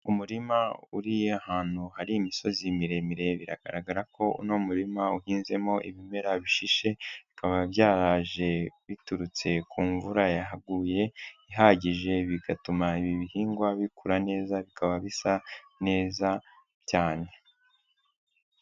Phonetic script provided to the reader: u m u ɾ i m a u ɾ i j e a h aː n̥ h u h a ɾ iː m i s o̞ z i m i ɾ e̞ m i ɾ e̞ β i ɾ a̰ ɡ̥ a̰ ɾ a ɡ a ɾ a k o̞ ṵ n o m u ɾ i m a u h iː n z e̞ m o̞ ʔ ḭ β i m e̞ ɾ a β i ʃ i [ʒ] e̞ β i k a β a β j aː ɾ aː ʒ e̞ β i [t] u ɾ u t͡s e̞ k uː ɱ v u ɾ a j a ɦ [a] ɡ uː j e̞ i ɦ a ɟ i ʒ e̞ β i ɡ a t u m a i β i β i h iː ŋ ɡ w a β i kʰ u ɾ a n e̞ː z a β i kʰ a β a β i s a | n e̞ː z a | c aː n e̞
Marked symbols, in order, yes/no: no, yes, yes

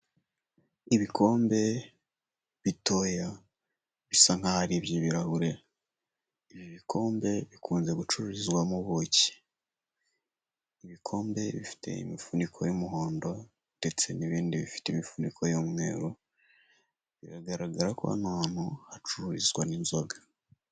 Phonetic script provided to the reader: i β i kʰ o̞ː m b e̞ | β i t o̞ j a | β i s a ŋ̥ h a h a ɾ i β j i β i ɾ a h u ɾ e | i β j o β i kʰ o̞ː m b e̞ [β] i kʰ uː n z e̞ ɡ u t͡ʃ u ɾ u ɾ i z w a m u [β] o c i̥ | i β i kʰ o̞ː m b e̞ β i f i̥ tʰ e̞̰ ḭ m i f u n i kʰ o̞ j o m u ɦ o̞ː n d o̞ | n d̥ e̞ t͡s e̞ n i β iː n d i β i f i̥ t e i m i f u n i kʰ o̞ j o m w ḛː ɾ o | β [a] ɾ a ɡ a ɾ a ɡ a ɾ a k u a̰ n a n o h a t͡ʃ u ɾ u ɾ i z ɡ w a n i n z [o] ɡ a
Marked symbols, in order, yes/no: yes, yes, no, yes

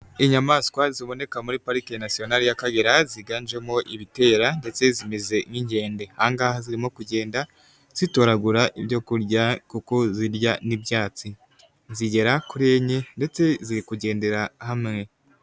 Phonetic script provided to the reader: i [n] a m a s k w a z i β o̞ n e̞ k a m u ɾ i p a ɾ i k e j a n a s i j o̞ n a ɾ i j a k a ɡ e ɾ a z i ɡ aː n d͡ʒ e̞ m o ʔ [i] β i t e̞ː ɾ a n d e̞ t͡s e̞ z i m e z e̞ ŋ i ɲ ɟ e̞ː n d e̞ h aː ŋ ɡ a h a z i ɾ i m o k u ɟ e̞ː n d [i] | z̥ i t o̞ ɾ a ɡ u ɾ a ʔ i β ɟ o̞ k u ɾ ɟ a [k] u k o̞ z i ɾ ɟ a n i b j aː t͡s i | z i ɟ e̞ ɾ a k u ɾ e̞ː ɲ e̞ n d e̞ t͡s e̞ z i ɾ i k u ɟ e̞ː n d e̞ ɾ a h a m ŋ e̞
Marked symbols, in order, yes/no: no, yes, no, yes

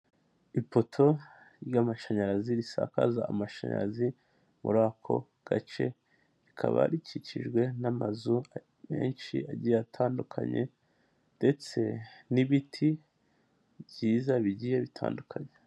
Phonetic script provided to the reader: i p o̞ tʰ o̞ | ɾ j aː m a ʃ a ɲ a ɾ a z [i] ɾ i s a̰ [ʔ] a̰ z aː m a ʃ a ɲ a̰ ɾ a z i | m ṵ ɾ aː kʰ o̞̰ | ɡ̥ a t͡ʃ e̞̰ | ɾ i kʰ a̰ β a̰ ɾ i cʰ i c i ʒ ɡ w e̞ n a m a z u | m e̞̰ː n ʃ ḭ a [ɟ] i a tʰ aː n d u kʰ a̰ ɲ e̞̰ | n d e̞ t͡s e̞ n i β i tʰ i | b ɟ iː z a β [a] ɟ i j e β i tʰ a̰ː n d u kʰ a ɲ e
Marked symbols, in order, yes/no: yes, no, yes, no

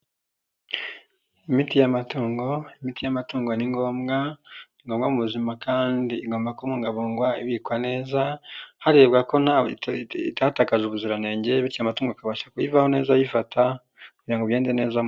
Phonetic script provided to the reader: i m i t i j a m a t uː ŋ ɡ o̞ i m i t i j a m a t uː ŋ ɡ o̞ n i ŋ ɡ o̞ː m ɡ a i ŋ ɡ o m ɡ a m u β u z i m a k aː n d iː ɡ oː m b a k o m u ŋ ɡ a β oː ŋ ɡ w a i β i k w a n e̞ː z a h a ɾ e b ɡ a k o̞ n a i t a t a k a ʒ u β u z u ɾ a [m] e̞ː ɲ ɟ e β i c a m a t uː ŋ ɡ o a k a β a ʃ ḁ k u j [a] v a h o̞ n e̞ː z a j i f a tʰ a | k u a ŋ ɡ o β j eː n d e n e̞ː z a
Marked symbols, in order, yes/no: no, no

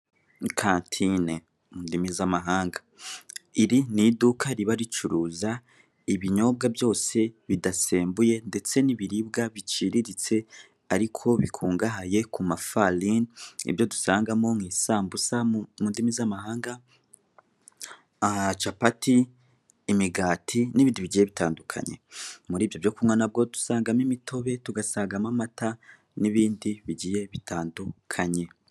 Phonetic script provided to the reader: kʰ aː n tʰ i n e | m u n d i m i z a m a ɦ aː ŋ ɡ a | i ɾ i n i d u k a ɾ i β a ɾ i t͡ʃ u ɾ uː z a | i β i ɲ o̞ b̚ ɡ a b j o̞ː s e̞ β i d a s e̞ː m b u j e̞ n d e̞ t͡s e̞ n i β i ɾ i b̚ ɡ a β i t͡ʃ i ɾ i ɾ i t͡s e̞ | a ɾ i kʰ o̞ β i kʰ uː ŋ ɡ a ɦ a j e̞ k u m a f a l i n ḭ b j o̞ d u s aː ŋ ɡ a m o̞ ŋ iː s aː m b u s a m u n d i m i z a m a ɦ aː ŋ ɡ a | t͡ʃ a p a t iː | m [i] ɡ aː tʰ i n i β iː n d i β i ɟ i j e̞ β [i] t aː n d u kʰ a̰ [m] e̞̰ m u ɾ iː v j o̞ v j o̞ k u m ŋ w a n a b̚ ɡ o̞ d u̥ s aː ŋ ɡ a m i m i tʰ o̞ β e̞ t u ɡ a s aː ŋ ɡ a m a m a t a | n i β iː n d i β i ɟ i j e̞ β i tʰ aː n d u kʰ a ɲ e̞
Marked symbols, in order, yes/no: yes, yes, no

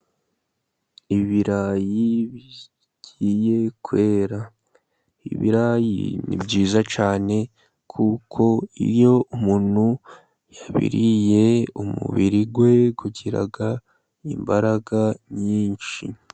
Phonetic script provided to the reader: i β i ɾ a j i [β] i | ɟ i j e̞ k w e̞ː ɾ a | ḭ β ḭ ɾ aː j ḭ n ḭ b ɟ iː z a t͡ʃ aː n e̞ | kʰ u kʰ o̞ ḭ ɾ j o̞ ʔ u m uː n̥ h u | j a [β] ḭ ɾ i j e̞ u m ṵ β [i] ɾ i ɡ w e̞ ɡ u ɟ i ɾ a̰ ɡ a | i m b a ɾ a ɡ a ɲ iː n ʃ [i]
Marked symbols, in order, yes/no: yes, yes, yes, yes

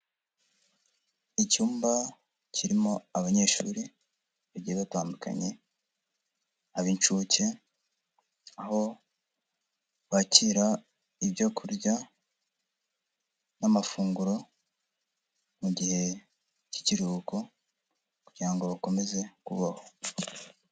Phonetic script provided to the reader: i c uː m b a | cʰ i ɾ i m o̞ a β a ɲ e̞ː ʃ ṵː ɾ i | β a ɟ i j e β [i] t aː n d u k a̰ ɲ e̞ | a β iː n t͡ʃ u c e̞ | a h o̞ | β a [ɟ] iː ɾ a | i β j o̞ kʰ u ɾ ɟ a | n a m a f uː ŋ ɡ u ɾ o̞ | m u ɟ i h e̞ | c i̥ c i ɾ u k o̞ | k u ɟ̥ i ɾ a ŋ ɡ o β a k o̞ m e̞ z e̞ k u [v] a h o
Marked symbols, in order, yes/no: no, no, no

